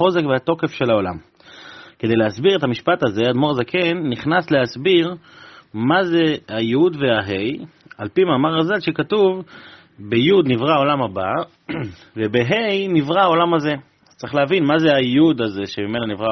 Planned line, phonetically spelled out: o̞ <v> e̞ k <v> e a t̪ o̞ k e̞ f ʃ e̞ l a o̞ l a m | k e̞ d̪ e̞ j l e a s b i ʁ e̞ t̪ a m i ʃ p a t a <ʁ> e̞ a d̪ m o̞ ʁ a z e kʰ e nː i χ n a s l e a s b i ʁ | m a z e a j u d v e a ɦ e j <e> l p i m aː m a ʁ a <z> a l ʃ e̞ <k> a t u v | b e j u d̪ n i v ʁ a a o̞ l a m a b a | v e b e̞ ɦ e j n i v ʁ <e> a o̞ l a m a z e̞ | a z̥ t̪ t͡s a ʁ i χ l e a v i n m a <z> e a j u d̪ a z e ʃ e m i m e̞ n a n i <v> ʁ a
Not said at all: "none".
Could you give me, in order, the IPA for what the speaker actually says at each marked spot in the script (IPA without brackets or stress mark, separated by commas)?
z, v, z, a, z, k, a, z, v